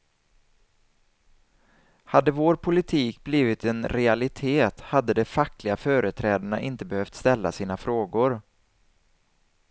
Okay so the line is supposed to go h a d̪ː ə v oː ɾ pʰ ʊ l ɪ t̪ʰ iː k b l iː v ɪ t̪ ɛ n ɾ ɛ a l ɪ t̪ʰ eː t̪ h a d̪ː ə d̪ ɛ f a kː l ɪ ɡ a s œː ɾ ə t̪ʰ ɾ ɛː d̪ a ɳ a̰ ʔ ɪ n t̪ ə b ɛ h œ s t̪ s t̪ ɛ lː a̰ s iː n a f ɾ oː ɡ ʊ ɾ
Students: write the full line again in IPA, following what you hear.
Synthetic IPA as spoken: h a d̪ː ə v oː ɾ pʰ ʊ l ɪ t̪ʰ iː k b l iː v ɪ t̪ ɛ n ɾ ɛ a l ɪ t̪ʰ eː t̪ h a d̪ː ə d̪ ɛ f a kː l ɪ ɡ a f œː ɾ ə t̪ʰ ɾ ɛː d̪ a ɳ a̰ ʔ ɪ n t̪ ə b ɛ h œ f t̪ s t̪ ɛ lː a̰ s iː n a f ɾ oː ɡ ʊ ɾ